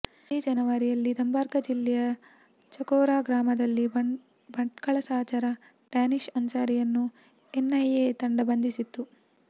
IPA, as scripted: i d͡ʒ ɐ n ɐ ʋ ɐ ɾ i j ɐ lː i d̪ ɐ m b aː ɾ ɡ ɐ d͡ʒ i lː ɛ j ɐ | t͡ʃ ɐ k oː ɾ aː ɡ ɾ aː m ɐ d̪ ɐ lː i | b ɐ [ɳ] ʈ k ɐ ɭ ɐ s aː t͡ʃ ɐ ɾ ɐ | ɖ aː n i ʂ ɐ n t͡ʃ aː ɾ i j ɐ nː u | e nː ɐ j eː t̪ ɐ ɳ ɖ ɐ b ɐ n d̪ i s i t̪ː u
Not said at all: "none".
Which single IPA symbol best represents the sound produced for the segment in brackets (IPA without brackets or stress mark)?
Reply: ɳ